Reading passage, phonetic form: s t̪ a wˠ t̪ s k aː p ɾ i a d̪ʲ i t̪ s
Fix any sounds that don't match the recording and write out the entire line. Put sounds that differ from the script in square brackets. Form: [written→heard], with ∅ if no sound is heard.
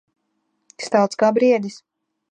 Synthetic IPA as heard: s t̪ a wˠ t̪ s k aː [p→b] ɾ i [a→ɛ] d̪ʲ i [t̪→∅] s